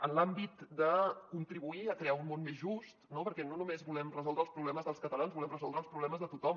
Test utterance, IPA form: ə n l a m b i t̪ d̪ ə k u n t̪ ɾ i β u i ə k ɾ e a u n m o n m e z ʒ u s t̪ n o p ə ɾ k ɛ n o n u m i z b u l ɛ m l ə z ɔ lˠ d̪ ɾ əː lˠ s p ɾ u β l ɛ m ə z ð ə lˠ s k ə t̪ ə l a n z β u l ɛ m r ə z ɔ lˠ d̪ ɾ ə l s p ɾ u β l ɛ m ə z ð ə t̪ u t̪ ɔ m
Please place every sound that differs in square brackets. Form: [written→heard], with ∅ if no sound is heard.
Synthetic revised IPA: ə n l a m b i t̪ d̪ ə k u n t̪ ɾ i β u i ə k ɾ e a u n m o n m e z ʒ u s t̪ n o p ə ɾ k ɛ n o n u m [i→e] z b u l ɛ m [l→r] ə z ɔ lˠ d̪ ɾ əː lˠ s p ɾ u β l ɛ m ə z ð ə lˠ s k ə t̪ ə l a n z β u l ɛ m r ə z ɔ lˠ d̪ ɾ ə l s p ɾ u β l ɛ m ə z ð ə t̪ u t̪ ɔ m